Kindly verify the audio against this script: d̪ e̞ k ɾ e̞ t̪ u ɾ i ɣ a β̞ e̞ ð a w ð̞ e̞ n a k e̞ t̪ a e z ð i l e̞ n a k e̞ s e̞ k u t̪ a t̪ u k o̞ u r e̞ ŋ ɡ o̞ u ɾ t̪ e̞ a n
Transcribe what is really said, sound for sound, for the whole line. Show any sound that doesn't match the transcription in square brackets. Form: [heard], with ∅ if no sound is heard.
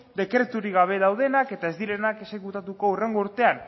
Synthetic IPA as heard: d̪ e̞ k ɾ e̞ t̪ u ɾ i ɣ a β̞ e̞ ð a w ð̞ e̞ n a k e̞ t̪ a e z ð i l e̞ n a k e̞ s e̞ k u t̪ a t̪ u k o̞ u r e̞ ŋ ɡ o̞ u ɾ t̪ e̞ a n